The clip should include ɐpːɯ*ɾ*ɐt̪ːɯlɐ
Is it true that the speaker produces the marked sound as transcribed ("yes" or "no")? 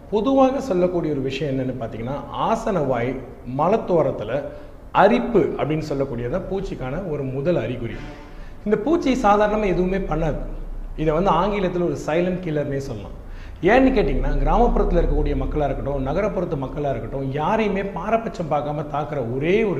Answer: yes